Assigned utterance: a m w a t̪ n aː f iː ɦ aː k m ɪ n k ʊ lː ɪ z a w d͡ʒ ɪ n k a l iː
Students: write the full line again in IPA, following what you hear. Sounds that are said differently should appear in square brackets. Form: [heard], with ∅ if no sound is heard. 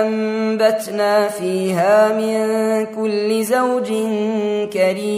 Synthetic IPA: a m [b] a t̪ n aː f iː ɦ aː [∅] m ɪ n k ʊ lː ɪ z a w d͡ʒ ɪ n k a [ɾ] iː